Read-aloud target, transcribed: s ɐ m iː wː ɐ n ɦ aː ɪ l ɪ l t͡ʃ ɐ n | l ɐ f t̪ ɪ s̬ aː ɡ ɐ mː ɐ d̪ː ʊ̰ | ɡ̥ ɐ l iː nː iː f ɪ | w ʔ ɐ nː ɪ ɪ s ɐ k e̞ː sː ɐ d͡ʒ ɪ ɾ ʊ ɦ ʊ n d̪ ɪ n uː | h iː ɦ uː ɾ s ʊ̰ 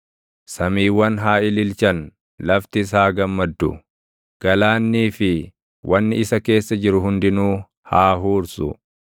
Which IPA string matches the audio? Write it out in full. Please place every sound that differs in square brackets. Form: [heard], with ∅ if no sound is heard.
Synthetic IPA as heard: s ɐ m iː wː ɐ n ɦ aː ɪ l ɪ l t͡ʃ ɐ n | l ɐ f t̪ ɪ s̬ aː ɡ ɐ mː ɐ d̪ː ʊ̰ | ɡ̥ ɐ l [aː] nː iː f ɪ | w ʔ ɐ nː ɪ ɪ s ɐ k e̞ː sː ɐ d͡ʒ ɪ ɾ ʊ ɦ ʊ n d̪ ɪ n uː | h [aː] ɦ uː ɾ s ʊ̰